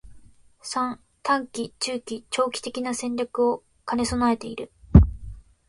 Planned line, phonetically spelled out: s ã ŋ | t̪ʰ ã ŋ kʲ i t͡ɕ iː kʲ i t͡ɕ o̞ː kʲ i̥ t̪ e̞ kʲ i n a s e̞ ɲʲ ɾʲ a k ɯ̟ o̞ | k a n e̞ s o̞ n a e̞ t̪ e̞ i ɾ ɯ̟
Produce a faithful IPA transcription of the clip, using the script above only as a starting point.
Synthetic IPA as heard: s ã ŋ | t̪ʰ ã ŋ kʲ i t͡ɕ ɨː kʲ i t͡ɕ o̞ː kʲ i̥ t̪ e̞ kʲ i n a s ẽ̞ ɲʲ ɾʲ a k ɯ̟ o̞ | k a n e̞ s o̞ n a e̞ t̪ e̞ i ɾ ɯ̟